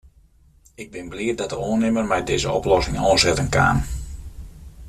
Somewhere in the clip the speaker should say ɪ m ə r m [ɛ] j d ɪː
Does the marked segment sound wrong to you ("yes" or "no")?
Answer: no